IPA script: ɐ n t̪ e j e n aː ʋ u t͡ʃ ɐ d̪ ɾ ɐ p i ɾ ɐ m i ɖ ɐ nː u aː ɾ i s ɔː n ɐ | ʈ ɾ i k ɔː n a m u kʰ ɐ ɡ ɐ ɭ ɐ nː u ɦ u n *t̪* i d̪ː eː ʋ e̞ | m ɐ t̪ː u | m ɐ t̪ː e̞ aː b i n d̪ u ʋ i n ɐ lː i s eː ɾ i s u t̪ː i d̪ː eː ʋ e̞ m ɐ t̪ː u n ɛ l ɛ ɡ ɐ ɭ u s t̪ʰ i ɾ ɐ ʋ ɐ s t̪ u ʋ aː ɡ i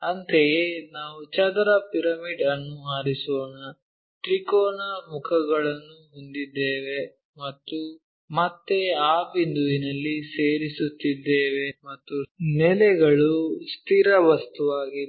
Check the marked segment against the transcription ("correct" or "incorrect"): incorrect